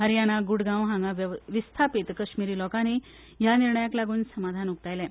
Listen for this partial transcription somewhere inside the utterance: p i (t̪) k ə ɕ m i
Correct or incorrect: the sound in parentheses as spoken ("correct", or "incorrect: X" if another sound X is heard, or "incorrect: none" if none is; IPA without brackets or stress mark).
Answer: correct